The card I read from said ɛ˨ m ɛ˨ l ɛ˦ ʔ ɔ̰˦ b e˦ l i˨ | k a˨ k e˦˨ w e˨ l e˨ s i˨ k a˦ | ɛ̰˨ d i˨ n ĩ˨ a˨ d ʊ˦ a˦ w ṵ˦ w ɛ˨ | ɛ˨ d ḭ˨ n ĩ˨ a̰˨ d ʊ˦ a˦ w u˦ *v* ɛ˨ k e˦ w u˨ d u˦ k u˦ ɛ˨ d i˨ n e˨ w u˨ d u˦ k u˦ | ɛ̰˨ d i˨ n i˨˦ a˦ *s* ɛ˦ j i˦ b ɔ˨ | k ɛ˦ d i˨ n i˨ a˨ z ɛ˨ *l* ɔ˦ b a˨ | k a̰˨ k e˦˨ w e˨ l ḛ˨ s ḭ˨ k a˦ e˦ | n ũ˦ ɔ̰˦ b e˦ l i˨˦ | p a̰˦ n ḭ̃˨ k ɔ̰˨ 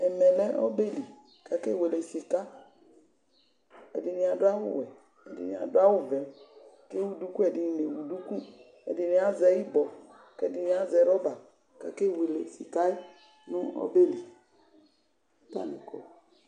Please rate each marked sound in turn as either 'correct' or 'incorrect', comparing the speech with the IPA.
correct, incorrect: z, incorrect: ɾ

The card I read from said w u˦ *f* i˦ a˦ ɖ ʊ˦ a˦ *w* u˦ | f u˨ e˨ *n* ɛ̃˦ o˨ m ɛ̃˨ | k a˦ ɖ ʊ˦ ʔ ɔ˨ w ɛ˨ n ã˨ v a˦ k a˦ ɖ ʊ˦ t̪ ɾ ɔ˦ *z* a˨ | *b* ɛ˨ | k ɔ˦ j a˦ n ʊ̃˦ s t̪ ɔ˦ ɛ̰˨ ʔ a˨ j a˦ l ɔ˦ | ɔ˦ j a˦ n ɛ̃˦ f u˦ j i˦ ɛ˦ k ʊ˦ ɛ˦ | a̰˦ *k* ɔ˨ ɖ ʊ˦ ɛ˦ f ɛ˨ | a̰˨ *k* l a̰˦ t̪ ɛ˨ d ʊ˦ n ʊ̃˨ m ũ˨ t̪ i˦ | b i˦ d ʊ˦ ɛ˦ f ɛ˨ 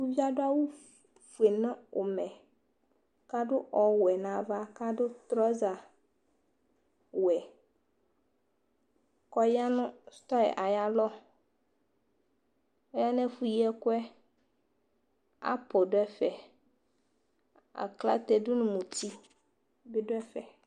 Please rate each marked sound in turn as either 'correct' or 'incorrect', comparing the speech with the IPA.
incorrect: v, correct, correct, correct, incorrect: w, incorrect: p, correct

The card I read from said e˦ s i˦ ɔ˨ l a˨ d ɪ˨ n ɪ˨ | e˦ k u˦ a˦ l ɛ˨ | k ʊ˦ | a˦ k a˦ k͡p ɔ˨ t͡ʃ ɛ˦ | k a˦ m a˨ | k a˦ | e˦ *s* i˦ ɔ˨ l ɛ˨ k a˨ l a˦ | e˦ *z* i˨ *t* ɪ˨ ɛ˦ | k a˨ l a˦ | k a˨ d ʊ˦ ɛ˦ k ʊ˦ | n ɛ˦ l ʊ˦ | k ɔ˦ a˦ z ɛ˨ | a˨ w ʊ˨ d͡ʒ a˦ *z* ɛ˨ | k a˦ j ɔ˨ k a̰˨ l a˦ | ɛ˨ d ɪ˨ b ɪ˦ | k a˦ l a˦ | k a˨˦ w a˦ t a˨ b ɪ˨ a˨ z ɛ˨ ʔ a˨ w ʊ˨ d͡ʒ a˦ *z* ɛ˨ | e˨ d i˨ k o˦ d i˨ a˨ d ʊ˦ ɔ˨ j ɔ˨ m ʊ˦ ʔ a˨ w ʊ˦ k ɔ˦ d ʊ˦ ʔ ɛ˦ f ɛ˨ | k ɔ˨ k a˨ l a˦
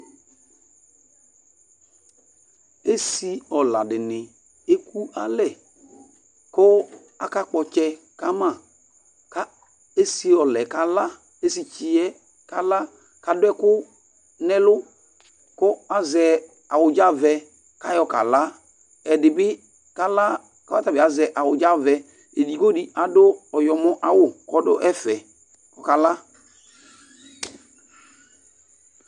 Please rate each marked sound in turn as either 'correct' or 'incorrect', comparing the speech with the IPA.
correct, incorrect: s, incorrect: t͡ʃ, incorrect: v, incorrect: v

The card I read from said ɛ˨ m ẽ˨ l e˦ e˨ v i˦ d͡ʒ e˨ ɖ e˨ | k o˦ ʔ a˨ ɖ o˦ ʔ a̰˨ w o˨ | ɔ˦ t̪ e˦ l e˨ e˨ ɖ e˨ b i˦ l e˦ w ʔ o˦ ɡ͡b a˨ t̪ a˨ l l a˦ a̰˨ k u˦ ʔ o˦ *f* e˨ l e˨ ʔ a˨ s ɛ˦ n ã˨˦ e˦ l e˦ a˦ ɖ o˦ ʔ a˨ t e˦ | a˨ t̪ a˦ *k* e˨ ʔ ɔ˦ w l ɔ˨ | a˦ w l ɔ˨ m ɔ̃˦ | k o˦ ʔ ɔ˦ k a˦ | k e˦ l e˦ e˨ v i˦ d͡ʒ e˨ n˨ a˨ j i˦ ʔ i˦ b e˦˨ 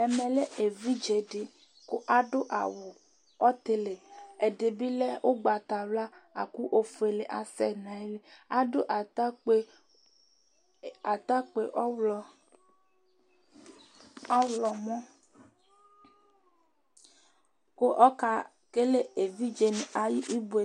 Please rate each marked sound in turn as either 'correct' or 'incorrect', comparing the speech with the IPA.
correct, incorrect: k͡p

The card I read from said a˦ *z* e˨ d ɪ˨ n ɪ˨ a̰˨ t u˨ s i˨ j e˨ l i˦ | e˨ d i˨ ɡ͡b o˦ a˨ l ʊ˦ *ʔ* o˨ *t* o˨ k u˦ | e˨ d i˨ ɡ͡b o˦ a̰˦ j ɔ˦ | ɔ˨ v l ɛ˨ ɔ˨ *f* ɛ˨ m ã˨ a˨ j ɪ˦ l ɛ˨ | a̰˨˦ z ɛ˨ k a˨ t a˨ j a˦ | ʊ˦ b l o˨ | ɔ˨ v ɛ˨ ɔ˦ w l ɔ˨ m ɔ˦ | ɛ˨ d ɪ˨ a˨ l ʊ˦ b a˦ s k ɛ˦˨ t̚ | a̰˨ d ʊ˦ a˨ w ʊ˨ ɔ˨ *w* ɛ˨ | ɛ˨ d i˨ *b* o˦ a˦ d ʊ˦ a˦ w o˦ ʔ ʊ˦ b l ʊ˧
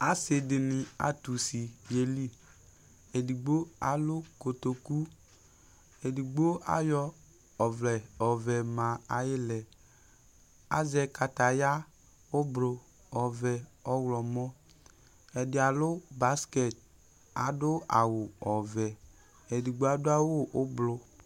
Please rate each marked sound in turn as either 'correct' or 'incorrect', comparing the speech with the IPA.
incorrect: s, incorrect: k, correct, incorrect: v, incorrect: v, incorrect: ɡ͡b

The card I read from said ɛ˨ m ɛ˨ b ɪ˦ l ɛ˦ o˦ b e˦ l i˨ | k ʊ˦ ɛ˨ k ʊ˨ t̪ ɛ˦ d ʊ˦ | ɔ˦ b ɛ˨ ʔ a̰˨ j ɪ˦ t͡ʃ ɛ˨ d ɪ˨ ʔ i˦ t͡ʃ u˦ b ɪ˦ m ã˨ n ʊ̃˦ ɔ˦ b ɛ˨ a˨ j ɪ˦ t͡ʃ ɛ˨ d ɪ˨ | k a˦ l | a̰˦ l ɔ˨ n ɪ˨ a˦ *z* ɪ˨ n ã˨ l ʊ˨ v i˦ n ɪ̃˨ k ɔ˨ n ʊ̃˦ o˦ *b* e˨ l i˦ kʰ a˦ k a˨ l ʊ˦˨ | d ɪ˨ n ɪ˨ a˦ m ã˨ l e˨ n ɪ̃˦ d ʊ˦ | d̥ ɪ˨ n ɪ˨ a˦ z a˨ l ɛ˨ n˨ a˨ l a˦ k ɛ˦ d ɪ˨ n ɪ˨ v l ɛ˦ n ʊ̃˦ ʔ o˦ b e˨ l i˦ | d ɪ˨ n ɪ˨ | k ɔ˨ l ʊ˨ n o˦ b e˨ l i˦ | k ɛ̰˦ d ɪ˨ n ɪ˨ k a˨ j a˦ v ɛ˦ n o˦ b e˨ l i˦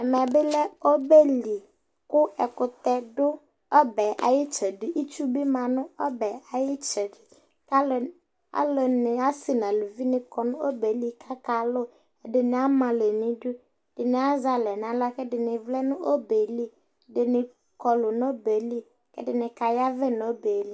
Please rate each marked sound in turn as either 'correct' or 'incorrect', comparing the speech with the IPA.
incorrect: s, correct

